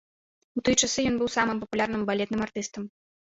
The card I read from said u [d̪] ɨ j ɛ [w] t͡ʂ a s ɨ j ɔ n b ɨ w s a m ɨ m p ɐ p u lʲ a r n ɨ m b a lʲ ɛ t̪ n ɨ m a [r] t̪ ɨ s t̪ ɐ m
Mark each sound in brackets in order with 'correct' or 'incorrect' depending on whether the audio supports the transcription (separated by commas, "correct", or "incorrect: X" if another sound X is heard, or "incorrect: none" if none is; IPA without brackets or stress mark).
incorrect: t̪, incorrect: none, correct